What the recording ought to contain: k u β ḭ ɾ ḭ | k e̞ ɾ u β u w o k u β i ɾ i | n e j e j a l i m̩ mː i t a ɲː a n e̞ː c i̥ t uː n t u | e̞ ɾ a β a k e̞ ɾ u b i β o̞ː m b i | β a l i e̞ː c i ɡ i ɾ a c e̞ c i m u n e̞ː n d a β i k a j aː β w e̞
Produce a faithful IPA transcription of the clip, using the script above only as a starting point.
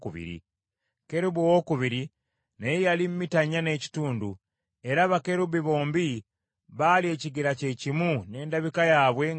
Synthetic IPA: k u β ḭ ɾ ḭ | k e̞ ɾ u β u w o k u β i ɾ i | n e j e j a l i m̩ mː i t a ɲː a n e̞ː c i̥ t uː n d u | e̞ ɾ a β a k e̞ ɾ u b i β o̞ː m b i | β a l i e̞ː c i ɡ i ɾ a c e̞ c i m u n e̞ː n d a β i k a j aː β w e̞